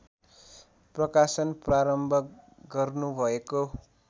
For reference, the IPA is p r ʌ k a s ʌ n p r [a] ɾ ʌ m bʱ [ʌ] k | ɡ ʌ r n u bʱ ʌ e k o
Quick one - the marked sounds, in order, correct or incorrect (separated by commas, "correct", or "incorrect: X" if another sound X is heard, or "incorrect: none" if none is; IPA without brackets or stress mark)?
correct, correct